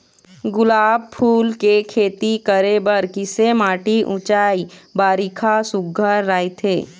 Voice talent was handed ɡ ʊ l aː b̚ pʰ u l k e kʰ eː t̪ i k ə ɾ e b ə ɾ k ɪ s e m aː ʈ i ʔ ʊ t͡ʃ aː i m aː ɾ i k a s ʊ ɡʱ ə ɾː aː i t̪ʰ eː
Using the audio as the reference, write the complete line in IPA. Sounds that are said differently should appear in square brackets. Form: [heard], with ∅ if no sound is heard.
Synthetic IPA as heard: ɡ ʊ l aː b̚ pʰ [uː] l k e kʰ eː t̪ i k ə ɾ e b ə ɾ k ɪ s e m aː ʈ i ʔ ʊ t͡ʃ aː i [b] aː ɾ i [kʰ] a s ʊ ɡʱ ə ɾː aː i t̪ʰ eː